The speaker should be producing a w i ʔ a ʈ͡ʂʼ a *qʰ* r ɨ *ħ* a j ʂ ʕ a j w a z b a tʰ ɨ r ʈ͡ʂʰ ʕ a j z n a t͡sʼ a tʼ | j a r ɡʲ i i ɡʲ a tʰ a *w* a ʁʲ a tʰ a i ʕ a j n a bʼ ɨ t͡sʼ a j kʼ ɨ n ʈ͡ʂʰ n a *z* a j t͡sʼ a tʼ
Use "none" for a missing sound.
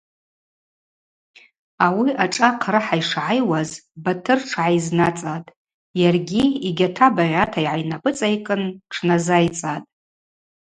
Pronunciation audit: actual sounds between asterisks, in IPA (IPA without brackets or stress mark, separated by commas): qʰ, ħ, b, z